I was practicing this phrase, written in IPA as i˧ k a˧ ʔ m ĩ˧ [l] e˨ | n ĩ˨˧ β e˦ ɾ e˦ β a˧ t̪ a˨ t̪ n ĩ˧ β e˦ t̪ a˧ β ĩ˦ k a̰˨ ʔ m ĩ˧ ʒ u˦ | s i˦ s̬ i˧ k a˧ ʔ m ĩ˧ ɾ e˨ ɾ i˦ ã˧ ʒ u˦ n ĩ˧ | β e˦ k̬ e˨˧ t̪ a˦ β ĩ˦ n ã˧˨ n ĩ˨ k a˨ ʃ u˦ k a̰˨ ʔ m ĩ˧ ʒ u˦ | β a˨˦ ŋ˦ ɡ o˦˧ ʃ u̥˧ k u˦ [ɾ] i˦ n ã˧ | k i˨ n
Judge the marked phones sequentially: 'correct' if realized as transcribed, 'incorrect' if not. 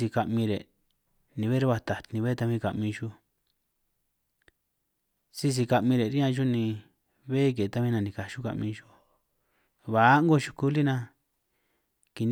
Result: incorrect, incorrect

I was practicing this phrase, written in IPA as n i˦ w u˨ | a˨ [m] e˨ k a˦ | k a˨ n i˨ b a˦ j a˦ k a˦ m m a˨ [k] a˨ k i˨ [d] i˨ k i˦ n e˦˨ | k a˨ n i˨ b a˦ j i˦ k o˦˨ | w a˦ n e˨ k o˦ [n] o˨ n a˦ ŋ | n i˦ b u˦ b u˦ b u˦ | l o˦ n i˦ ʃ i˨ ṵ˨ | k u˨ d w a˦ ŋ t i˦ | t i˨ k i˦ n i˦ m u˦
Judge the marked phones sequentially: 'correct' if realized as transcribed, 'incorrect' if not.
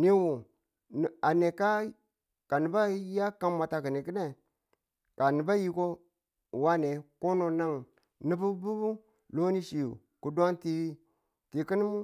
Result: incorrect, incorrect, incorrect, correct

